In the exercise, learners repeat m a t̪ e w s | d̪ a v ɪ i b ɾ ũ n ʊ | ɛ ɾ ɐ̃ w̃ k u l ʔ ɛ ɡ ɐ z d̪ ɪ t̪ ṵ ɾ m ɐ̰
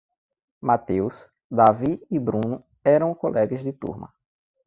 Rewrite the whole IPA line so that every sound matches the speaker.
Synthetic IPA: m a t̪ e w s | d̪ a v i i b ɾ ũ n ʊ | ɛ ɾ ɐ̃ w̃ k o l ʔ ɛ ɡ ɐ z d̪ ɪ t̪ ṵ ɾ m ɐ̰